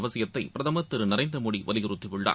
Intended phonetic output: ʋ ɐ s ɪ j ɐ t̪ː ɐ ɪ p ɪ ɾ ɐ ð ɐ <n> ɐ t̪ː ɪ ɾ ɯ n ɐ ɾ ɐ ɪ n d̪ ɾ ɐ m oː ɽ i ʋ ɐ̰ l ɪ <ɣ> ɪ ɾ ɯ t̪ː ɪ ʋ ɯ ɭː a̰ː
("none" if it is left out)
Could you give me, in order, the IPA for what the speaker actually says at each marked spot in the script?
m, ɣ

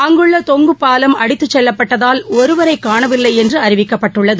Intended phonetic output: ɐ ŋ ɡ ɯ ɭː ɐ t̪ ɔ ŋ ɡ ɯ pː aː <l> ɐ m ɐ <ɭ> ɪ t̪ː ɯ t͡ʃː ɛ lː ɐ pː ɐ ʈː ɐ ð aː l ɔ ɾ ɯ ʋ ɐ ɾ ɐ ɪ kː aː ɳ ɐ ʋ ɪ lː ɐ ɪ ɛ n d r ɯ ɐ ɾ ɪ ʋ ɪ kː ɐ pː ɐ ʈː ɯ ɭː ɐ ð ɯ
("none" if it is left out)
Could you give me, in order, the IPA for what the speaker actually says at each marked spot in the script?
l, ɽ

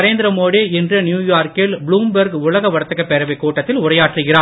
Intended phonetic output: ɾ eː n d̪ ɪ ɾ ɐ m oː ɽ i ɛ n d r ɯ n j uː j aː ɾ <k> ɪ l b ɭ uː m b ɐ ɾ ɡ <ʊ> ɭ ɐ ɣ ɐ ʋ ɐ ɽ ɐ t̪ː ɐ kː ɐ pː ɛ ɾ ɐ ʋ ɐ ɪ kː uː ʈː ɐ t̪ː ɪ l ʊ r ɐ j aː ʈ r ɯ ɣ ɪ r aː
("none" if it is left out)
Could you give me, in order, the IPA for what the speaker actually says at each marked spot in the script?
k, ʊ

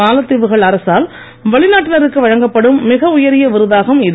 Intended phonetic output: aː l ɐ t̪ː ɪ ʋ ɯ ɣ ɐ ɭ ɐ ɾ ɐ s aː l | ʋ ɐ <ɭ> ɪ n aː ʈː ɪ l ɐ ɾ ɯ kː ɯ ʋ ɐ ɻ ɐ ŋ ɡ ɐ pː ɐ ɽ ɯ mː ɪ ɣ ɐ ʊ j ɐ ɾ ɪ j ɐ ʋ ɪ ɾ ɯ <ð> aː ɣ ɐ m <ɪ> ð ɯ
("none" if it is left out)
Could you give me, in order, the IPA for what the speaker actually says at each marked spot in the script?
ɭ, ð, ɪ

